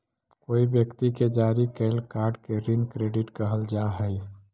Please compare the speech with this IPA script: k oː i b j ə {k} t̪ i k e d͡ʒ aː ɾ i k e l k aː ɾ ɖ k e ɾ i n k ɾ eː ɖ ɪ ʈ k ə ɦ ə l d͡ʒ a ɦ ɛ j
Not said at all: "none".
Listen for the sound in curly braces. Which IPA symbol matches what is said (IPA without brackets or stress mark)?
k